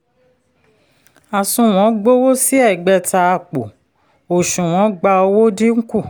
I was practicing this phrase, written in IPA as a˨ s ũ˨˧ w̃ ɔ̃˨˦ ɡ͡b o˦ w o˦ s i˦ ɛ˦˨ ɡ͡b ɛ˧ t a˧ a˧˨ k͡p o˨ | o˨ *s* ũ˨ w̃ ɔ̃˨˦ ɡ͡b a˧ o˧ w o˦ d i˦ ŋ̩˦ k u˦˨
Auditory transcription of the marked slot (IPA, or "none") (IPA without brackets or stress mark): ʃ